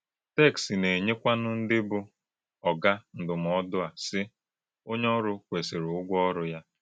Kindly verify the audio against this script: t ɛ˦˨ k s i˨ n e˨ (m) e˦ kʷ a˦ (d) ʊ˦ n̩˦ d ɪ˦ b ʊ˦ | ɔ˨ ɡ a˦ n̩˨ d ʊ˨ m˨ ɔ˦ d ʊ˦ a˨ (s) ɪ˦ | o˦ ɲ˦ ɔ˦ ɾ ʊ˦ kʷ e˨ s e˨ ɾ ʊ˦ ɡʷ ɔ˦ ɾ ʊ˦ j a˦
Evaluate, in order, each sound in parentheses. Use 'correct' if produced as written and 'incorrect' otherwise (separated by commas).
incorrect, incorrect, correct